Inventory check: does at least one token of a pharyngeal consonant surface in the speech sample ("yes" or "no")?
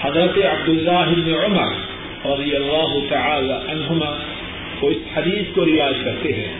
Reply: yes